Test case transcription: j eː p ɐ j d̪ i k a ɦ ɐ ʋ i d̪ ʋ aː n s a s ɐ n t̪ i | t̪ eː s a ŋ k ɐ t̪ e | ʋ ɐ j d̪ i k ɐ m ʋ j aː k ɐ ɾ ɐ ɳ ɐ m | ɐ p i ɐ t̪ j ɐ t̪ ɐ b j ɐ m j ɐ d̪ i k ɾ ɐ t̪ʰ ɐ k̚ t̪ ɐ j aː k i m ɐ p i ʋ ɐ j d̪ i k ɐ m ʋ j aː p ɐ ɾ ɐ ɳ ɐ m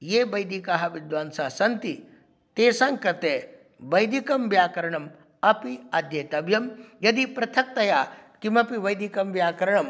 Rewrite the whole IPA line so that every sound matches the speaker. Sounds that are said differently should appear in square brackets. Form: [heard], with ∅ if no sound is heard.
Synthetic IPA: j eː [b] ɐ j d̪ i k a ɦ ɐ ʋ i d̪ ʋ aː n s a s ɐ n t̪ i | t̪ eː s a ŋ k ɐ t̪ e | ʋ ɐ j d̪ i k ɐ m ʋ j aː k ɐ ɾ ɐ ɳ ɐ m | ɐ p i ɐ [d̪] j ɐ t̪ ɐ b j ɐ m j ɐ d̪ i [p] ɾ ɐ t̪ʰ ɐ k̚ t̪ ɐ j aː k i m ɐ p i ʋ ɐ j d̪ i k ɐ m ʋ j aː [k] ɐ ɾ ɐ ɳ ɐ m